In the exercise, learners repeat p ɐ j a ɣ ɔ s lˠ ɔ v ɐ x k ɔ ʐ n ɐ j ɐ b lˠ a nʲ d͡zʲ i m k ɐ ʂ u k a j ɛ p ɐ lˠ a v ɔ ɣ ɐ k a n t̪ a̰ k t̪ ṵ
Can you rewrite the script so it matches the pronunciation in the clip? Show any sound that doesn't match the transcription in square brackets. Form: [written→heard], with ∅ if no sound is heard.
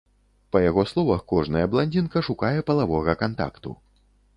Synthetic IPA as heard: p ɐ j a ɣ ɔ s lˠ ɔ v ɐ x k ɔ ʐ n ɐ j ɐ b lˠ a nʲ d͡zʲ i [m→n] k ɐ ʂ u k a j ɛ p ɐ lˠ a v ɔ ɣ ɐ k a n t̪ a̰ k t̪ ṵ